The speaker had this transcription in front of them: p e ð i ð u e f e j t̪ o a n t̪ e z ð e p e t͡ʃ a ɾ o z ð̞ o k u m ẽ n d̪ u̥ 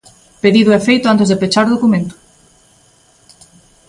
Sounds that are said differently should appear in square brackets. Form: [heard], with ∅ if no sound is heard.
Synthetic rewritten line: p e ð i ð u e f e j t̪ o a n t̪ e z ð e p e t͡ʃ a ɾ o [∅] ð̞ o k u m ẽ n [t̪] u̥